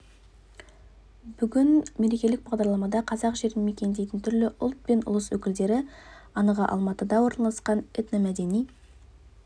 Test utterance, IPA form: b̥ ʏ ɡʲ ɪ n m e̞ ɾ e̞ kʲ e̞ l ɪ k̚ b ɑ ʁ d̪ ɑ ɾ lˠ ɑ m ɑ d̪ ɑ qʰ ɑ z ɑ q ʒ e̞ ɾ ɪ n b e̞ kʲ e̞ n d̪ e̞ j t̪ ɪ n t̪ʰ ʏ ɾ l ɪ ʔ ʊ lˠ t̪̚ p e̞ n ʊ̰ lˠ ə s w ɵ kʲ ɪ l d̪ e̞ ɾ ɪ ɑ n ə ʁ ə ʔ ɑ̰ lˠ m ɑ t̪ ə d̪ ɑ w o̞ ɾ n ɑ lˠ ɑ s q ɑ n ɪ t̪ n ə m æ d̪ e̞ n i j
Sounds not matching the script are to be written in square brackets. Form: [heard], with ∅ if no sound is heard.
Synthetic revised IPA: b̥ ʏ ɡʲ ɪ n m e̞ ɾ e̞ kʲ e̞ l ɪ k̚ b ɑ ʁ d̪ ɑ ɾ lˠ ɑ m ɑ d̪ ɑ qʰ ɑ z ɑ q ʒ e̞ ɾ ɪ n [m] e̞ kʲ e̞ n d̪ e̞ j t̪ ɪ n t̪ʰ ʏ ɾ l ɪ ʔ ʊ lˠ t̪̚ p e̞ n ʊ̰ lˠ ə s w ɵ kʲ ɪ l d̪ e̞ ɾ ɪ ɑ n ə ʁ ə ʔ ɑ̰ lˠ m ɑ t̪ ə d̪ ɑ w o̞ ɾ n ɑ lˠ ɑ s q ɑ n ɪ t̪ n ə m æ d̪ e̞ n i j

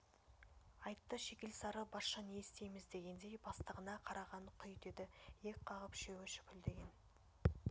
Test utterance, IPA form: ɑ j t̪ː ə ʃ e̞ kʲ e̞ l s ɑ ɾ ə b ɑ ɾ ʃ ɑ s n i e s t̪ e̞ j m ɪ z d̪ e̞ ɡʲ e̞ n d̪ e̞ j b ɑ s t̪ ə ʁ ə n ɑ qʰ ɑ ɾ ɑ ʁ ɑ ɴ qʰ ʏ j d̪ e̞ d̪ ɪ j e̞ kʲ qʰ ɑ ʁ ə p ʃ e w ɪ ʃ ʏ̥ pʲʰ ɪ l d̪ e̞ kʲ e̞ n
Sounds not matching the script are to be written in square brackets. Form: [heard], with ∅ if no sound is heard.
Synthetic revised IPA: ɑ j t̪ː ə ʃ e̞ kʲ e̞ l s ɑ ɾ ə b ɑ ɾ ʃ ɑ [∅] n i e s t̪ e̞ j m ɪ z d̪ e̞ ɡʲ e̞ n d̪ e̞ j b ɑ s t̪ ə ʁ ə n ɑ qʰ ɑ ɾ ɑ ʁ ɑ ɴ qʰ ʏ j d̪ e̞ d̪ ɪ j e̞ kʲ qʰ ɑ ʁ ə p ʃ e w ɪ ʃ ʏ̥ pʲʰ ɪ l d̪ e̞ [ɡʲ] e̞ n

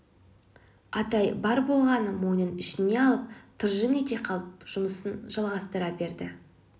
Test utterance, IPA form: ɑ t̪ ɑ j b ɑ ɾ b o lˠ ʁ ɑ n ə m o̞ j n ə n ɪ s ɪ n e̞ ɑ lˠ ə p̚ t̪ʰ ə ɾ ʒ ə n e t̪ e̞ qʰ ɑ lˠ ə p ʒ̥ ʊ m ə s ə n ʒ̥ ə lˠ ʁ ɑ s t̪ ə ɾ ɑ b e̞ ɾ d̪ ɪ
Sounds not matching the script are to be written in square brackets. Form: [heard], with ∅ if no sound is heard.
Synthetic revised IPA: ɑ t̪ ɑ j b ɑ ɾ b o lˠ ʁ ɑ n ə m o̞ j n ə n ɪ [ʃ] ɪ n e̞ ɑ lˠ ə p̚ t̪ʰ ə ɾ ʒ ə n e t̪ e̞ qʰ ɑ lˠ ə p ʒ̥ ʊ m ə s ə n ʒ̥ [ɑ] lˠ ʁ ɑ s t̪ ə ɾ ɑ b e̞ ɾ d̪ ɪ

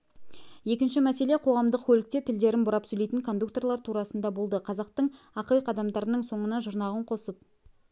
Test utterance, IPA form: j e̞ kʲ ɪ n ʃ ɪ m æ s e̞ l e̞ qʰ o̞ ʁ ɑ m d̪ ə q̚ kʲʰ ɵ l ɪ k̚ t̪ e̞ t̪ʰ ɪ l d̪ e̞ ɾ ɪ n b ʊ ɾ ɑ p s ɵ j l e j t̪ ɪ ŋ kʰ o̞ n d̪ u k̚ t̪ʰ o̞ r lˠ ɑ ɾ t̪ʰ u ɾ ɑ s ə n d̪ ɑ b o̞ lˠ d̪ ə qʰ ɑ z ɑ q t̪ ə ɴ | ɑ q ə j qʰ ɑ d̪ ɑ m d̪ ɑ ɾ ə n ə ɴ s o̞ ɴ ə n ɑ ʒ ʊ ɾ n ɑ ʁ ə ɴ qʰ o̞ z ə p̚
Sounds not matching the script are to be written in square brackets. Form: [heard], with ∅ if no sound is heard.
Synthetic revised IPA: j e̞ kʲ ɪ n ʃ ɪ m æ s e̞ l e̞ qʰ o̞ ʁ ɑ m d̪ ə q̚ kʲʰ ɵ l ɪ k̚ t̪ e̞ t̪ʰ ɪ l d̪ e̞ ɾ ɪ n b ʊ ɾ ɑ p s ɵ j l e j t̪ ɪ ŋ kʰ o̞ n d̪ u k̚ [t̪] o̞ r lˠ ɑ ɾ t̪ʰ u ɾ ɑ s ə n d̪ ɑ b o̞ lˠ d̪ ə qʰ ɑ z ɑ q t̪ ə ɴ | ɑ q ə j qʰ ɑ d̪ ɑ m d̪ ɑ ɾ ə n ə ɴ s o̞ ɴ ə n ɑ ʒ ʊ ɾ n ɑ ʁ ə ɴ qʰ o̞ [s] ə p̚

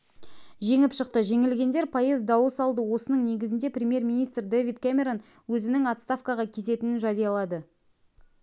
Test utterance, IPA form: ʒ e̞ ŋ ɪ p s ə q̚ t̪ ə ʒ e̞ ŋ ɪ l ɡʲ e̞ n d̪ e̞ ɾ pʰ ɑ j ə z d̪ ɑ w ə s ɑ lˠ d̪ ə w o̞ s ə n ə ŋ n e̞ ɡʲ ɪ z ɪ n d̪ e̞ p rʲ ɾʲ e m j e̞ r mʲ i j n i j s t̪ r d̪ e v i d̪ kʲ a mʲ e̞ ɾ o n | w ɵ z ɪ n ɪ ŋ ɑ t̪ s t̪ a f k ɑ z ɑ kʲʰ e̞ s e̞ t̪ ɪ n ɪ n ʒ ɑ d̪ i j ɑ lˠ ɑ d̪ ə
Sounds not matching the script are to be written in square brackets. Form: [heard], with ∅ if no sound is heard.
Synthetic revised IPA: ʒ e̞ ŋ ɪ p [ʃ] ə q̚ t̪ ə ʒ e̞ ŋ ɪ l ɡʲ e̞ n d̪ e̞ ɾ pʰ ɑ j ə z d̪ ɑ w ə s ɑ lˠ d̪ ə w o̞ s ə n ə [ɴ] n e̞ ɡʲ ɪ z ɪ n d̪ e̞ p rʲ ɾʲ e m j e̞ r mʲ i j n i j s t̪ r d̪ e v i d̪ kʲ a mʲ e̞ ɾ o n | w ɵ z ɪ n ɪ ŋ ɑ t̪ s t̪ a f k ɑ [ʁ] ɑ kʲʰ e̞ s e̞ t̪ ɪ n ɪ n ʒ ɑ d̪ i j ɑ lˠ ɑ d̪ ə

